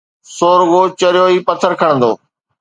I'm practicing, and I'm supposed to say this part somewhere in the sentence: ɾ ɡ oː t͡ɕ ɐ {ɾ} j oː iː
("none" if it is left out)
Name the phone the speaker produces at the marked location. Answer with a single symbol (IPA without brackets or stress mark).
ɾ